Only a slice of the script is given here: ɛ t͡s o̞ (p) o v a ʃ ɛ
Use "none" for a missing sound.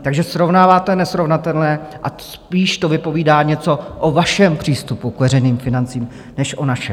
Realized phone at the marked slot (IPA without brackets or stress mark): ʔ